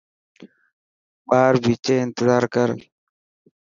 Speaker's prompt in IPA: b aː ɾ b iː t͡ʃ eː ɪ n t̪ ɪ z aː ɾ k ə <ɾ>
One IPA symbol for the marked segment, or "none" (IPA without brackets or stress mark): ɾ